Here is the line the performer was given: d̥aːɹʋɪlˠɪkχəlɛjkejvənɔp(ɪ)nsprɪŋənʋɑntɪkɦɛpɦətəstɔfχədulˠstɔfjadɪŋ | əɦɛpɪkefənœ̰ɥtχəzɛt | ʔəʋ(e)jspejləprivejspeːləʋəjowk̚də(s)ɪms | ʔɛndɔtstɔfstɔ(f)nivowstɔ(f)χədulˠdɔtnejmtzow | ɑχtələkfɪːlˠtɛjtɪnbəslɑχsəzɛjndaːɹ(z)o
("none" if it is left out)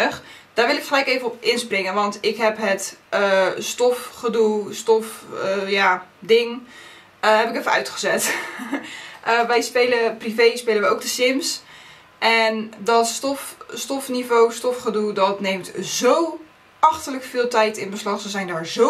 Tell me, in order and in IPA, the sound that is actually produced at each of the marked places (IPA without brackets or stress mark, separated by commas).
ɪ, ɛ, s, f, f, z